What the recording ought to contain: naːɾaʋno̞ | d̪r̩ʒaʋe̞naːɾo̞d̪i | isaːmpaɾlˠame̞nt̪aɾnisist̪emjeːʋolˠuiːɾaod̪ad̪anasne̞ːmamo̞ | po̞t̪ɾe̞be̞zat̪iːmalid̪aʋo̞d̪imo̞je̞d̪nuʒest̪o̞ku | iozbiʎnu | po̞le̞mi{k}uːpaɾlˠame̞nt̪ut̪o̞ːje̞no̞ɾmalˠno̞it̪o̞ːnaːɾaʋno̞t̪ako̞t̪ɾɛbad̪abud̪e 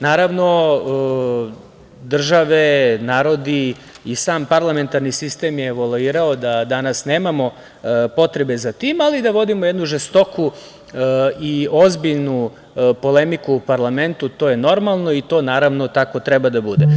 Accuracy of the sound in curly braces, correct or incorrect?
correct